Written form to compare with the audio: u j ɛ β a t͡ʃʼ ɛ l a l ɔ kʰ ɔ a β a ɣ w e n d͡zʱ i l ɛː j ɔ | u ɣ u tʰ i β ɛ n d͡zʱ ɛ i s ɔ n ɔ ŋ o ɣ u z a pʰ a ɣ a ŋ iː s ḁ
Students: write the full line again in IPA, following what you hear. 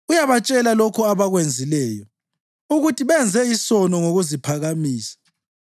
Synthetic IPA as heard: u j a β a t͡ʃʼ ɛ l a l ɔ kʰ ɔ a β a ɣ w e n d͡zʱ i l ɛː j ɔ | u ɣ u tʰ i β ɛ n d͡zʱ ɛ i s ɔ n ɔ ŋ o ɣ u z i pʰ a ɣ a m iː s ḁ